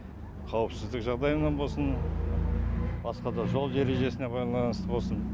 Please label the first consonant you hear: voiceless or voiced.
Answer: voiceless